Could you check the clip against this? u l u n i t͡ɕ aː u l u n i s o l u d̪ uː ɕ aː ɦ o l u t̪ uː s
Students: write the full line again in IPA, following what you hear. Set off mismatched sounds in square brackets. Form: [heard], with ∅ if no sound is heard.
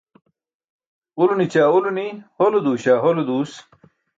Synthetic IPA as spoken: u l u n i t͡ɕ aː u l u n i [h] o l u d̪ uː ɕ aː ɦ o l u [d̪] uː s

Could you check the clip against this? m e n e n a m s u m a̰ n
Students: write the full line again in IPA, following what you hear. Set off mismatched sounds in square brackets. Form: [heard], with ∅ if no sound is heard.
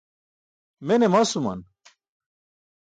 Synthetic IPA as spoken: m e n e [m] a [∅] s u m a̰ n

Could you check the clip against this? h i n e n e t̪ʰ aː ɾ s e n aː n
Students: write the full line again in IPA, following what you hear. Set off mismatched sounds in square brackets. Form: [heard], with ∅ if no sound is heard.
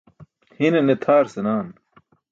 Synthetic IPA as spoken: h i n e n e t̪ʰ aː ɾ s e n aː n

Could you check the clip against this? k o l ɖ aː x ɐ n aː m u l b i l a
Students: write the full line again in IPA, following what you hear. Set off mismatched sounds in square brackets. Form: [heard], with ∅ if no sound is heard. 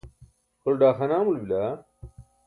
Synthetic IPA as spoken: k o l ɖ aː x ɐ n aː m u l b i l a

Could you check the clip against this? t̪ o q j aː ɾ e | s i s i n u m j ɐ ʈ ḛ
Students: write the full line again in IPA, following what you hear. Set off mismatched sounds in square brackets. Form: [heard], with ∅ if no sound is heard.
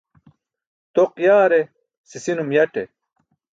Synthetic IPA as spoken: t̪ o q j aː ɾ e | s i s i n u m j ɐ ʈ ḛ

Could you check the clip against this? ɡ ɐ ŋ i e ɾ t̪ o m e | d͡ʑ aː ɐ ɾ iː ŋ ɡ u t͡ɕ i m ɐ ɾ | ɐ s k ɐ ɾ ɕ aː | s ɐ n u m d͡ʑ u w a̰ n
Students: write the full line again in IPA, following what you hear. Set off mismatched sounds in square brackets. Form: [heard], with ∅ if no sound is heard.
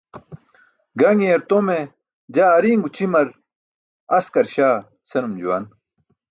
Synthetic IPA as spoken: ɡ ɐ ŋ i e ɾ t̪ o m e | d͡ʑ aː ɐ ɾ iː ŋ ɡ u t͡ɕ i m ɐ ɾ | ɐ s k ɐ ɾ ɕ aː | s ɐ n u m d͡ʑ u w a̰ n

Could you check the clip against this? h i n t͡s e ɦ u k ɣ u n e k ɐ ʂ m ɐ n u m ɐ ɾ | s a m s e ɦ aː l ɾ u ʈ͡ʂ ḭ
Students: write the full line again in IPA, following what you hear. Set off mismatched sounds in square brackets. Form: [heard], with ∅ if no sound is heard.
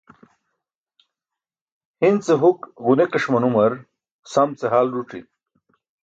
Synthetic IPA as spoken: h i n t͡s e ɦ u k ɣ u n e k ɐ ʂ m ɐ n u m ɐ ɾ | s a m [t͡s] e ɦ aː l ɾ u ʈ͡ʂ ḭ

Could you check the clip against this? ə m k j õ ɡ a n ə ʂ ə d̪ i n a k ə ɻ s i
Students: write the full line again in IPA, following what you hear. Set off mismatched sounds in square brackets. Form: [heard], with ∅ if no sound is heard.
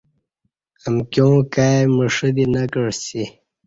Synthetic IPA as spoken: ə m k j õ [k] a [m] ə ʂ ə d̪ i n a k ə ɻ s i

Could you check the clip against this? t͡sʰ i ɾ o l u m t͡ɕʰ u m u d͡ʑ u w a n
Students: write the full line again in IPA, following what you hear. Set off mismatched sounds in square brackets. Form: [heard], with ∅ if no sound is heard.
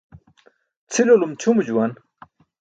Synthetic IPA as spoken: t͡sʰ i [l] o l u m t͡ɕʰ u m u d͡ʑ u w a n

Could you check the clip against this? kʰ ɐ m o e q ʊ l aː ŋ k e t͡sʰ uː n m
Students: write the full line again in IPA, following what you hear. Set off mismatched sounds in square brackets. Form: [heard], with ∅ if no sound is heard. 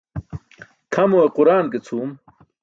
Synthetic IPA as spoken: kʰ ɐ m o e q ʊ [ɾ] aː [n] k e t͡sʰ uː [∅] m

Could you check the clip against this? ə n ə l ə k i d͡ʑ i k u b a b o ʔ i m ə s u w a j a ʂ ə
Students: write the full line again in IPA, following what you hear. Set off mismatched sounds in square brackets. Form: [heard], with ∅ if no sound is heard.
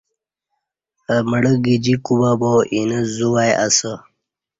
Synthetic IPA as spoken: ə [m] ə [ɽ] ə [ɡ] i d͡ʑ i k u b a b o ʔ i [n] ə [z] u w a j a [s] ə

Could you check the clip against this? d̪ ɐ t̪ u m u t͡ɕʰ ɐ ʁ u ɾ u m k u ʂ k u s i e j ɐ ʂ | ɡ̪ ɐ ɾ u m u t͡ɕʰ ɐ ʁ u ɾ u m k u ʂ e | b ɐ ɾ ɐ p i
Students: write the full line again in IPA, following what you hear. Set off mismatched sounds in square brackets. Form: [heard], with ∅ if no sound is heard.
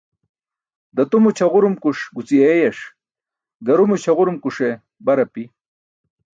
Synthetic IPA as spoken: d̪ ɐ t̪ u m u t͡ɕʰ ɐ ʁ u ɾ u m k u ʂ [ɡ] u [t͡s] i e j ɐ ʂ | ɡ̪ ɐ ɾ u m u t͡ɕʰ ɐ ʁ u ɾ u m k u ʂ e | b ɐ ɾ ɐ p i

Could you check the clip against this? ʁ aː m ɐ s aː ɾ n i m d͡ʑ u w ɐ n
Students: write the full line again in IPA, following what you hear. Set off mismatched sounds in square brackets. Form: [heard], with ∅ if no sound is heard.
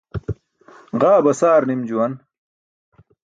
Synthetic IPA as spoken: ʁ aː [b] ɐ s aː ɾ n i m d͡ʑ u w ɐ n

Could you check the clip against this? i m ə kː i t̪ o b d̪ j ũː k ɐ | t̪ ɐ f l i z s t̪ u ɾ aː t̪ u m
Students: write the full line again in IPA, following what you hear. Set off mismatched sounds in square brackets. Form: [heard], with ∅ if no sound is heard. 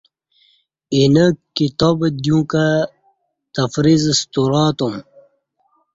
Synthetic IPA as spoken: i [n] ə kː i t̪ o b d̪ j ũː k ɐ | t̪ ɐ f [ɾ] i z s t̪ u ɾ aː t̪ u m

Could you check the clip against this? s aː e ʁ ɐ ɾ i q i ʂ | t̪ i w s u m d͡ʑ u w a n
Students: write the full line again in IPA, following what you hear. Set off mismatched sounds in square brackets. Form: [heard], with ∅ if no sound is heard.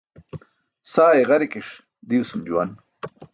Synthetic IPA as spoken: s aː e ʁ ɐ ɾ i [k] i ʂ | [d̪] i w s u m d͡ʑ u w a n

